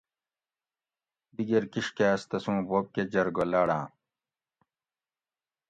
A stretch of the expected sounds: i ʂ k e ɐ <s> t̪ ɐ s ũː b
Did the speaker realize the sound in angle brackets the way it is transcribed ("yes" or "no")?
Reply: yes